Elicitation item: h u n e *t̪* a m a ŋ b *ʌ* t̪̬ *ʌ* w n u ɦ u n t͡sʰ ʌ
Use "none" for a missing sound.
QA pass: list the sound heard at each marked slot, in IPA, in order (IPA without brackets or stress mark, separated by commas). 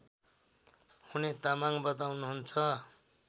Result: t̪, ʌ, a